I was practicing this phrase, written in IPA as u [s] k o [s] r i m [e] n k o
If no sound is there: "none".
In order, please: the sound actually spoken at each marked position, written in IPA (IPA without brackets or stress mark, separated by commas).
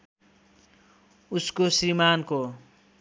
s, s, a